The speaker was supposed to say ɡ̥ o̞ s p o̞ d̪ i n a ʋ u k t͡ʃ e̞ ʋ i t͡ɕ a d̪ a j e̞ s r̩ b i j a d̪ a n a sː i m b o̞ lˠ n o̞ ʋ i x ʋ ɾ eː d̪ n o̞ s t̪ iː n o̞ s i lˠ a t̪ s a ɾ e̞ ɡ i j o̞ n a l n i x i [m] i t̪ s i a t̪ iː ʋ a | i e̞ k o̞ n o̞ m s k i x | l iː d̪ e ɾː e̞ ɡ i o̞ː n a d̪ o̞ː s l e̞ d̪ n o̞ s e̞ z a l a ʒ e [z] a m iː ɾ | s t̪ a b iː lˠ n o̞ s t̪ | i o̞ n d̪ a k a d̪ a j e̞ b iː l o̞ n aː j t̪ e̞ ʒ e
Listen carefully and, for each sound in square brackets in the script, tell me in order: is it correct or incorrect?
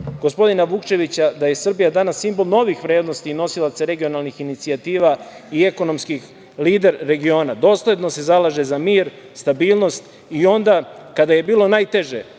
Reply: incorrect: n, correct

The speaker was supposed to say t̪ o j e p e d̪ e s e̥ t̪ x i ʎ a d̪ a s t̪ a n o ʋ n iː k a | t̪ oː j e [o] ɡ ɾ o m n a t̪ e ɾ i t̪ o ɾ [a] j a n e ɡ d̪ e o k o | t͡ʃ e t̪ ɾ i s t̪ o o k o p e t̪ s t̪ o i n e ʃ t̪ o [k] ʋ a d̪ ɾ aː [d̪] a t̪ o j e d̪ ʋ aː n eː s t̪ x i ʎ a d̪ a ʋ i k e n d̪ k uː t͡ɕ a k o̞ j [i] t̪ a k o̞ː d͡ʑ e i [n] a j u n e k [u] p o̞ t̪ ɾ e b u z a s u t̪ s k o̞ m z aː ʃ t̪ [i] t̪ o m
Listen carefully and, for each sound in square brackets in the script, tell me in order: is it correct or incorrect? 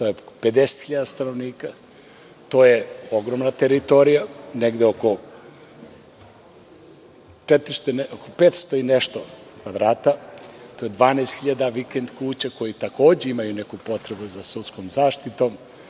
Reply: correct, incorrect: i, correct, incorrect: t̪, correct, incorrect: m, correct, correct

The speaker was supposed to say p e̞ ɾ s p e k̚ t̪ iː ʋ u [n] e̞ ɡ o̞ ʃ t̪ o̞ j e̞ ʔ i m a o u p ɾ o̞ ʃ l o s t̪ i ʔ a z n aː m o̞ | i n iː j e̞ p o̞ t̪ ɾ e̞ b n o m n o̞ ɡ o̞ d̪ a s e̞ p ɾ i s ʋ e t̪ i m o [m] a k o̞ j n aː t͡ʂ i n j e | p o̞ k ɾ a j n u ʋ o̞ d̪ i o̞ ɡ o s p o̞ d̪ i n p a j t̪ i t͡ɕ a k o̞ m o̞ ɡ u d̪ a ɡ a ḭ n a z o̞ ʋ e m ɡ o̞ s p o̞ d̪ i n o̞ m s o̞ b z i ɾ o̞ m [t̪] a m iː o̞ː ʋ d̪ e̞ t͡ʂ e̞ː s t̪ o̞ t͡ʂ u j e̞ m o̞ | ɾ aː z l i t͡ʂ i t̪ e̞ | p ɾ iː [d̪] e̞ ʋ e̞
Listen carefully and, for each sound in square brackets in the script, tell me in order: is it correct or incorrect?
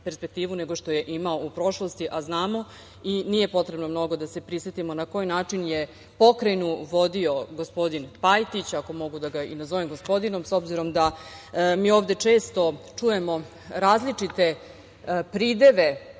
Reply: correct, incorrect: n, incorrect: d̪, correct

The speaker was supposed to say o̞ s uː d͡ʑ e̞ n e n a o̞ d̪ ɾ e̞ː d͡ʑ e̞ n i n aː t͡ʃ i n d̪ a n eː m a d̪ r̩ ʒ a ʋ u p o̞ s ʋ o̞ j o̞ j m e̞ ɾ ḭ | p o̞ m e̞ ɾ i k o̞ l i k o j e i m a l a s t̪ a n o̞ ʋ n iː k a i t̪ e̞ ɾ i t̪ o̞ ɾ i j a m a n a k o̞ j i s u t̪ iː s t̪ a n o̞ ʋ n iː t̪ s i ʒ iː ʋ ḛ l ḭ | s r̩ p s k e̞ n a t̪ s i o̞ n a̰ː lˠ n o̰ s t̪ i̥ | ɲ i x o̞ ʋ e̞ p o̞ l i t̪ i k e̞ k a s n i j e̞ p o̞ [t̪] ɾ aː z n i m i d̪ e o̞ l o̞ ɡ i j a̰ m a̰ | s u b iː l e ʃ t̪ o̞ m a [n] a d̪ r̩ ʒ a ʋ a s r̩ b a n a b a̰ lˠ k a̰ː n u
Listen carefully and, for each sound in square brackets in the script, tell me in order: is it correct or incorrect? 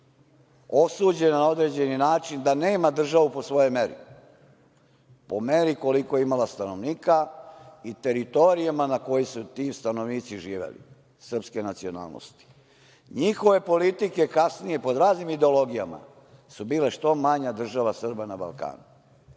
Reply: incorrect: d̪, incorrect: ɲ

